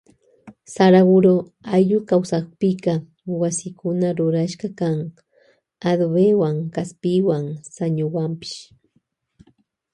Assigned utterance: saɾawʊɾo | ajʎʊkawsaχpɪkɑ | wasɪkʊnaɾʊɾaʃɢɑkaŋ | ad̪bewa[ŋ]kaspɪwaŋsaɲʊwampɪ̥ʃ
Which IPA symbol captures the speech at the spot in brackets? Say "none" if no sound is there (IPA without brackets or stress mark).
ŋ